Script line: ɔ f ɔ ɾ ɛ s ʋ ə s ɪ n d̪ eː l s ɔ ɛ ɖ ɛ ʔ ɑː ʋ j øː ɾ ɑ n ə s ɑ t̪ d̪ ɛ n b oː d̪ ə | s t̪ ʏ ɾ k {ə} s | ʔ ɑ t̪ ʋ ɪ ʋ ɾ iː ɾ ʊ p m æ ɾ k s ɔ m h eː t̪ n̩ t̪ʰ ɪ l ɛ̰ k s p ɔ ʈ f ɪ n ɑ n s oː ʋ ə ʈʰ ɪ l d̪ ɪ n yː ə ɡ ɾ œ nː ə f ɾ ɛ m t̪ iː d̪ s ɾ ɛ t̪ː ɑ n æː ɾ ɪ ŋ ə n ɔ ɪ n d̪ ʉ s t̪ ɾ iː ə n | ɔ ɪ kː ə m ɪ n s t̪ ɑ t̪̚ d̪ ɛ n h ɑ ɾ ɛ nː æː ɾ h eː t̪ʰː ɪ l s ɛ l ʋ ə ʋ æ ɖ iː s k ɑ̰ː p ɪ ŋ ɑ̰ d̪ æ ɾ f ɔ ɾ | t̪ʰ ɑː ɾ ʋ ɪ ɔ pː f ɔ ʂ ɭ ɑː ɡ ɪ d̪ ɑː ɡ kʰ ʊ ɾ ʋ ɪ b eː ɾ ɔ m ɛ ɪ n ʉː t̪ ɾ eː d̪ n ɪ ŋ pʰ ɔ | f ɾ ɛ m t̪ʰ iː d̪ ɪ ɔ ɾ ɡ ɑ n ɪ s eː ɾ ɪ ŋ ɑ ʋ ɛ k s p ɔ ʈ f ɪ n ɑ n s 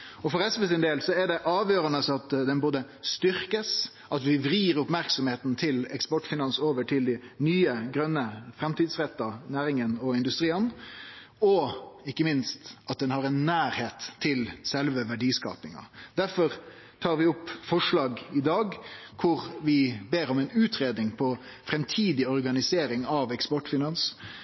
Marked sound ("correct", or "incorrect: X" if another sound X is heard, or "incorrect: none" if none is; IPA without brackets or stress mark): correct